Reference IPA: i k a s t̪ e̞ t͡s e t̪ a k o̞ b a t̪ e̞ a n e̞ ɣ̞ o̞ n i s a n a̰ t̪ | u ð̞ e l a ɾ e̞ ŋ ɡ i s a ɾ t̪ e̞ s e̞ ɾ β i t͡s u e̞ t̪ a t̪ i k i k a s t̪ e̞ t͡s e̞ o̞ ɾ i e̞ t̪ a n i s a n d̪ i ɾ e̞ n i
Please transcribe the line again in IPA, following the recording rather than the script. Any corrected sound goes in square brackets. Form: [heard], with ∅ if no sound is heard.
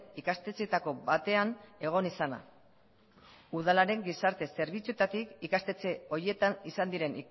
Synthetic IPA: i k a s t̪ e̞ t͡s e t̪ a k o̞ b a t̪ e̞ a n e̞ ɣ̞ o̞ n i s a n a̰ [∅] | u ð̞ [a] l a ɾ e̞ ŋ ɡ i s a ɾ t̪ e̞ s e̞ ɾ β i t͡s u e̞ t̪ a t̪ i k i k a s t̪ e̞ t͡s e̞ o̞ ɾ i e̞ t̪ a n i s a n d̪ i ɾ e̞ n i